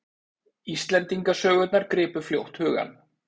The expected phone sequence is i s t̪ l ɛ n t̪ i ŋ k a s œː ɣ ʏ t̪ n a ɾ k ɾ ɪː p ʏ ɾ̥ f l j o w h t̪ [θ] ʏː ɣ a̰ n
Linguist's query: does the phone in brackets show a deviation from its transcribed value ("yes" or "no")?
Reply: yes